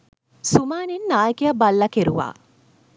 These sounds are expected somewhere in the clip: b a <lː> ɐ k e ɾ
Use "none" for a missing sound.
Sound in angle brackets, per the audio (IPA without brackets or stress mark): lː